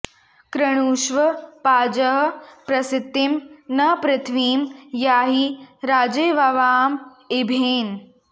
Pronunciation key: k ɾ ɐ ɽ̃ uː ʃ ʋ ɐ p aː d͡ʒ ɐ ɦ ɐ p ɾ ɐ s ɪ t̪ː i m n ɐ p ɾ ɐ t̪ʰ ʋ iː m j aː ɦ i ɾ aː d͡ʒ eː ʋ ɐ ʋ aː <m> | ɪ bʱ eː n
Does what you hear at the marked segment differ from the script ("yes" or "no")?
no